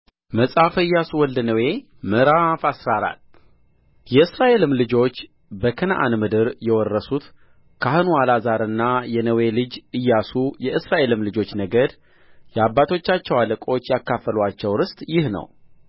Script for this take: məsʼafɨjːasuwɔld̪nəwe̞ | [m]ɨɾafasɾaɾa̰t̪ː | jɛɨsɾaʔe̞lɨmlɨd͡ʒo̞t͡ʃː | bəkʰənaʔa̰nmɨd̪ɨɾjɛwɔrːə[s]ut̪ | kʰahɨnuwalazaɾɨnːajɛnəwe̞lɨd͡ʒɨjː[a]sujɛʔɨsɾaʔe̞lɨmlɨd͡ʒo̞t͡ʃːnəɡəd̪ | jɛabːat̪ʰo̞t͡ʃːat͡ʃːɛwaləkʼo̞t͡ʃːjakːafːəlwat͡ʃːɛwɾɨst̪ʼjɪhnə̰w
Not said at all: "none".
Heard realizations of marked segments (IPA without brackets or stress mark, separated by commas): m, s, a